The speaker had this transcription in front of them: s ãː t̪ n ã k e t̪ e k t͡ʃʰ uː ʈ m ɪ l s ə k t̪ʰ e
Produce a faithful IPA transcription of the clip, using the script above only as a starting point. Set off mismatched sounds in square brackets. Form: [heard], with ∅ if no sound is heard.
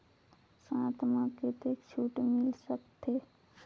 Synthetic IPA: s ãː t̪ [m] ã k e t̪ e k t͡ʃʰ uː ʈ m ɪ l s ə k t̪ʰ e